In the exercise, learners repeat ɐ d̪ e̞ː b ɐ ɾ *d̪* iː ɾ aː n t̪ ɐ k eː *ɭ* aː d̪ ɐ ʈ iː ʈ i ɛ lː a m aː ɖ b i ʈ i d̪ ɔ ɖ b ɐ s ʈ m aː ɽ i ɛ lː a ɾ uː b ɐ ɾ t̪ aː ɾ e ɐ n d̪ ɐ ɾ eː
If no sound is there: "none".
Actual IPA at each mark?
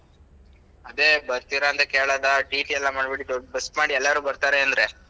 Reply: t̪, ɭ

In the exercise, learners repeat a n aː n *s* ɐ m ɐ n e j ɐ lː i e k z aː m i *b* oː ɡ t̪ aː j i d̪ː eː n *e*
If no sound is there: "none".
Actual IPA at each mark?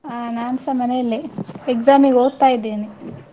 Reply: s, ɡ, i

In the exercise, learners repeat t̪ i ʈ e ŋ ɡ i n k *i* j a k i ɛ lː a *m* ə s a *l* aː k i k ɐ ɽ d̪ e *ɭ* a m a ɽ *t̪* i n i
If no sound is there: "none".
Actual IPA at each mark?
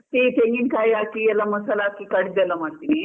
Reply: a, m, l, l, t̪

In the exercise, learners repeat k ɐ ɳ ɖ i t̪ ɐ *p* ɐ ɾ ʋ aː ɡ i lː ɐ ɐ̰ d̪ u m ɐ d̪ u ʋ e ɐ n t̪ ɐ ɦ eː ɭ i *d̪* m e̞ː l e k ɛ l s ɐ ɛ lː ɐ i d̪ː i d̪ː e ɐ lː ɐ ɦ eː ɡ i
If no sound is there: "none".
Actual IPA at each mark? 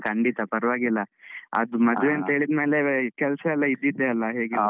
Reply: p, d̪

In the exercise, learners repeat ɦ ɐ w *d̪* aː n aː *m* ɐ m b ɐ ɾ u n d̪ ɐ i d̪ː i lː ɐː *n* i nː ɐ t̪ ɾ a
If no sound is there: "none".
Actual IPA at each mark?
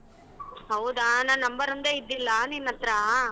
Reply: d̪, n, n

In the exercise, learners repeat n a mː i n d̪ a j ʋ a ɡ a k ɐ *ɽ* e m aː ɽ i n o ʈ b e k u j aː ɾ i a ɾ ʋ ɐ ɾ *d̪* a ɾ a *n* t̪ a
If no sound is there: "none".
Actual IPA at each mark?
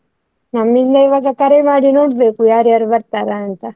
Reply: ɾ, t̪, n

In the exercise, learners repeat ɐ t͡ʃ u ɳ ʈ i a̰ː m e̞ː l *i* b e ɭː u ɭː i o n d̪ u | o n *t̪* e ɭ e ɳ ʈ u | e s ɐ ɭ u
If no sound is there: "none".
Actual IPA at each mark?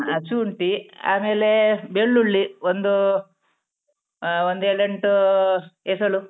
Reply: e, d̪

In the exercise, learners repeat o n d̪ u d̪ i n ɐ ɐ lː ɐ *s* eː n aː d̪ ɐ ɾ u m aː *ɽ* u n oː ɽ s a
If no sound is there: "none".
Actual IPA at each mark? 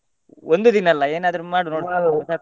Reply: none, ɽ

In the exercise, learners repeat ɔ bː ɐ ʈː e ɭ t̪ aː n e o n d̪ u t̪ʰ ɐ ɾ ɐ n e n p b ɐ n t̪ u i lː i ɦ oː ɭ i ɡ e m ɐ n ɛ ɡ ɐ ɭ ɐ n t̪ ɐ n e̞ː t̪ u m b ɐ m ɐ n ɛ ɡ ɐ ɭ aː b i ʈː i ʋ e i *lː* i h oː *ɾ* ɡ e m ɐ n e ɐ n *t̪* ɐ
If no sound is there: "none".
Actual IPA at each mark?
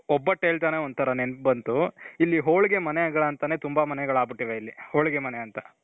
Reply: lː, ɭ, t̪

